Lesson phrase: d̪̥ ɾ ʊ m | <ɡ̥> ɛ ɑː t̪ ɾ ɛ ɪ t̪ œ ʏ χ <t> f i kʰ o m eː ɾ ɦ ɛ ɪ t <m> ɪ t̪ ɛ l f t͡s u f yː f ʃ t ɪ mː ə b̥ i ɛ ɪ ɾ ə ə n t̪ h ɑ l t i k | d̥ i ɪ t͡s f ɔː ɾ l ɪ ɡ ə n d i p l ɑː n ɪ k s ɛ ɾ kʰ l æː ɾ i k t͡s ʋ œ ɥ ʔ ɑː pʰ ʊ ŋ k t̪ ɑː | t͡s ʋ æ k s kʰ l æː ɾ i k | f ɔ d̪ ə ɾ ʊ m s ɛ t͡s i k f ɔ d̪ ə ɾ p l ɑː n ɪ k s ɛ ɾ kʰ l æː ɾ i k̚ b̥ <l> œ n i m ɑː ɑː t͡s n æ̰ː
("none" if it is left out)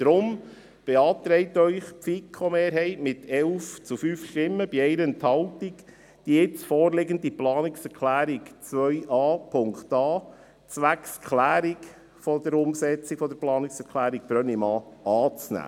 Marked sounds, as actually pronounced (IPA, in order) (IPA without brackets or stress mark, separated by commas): b̥, p, m, ɾ